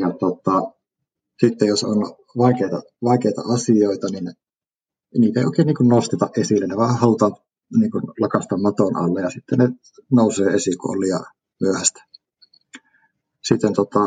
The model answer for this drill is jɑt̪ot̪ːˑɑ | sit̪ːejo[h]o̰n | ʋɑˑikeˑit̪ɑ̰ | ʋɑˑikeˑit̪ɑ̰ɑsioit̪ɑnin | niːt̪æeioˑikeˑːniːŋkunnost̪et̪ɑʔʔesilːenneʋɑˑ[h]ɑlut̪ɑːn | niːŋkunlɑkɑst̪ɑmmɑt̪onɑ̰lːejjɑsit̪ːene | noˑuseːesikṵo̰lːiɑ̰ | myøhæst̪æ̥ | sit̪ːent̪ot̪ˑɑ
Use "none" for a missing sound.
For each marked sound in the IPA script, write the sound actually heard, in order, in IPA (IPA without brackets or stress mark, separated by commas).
s, h